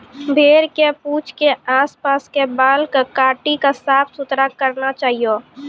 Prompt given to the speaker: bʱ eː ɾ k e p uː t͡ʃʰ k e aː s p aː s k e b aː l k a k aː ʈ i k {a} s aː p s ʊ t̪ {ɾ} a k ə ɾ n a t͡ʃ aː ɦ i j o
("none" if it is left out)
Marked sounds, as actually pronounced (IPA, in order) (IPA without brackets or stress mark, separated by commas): a, ɾ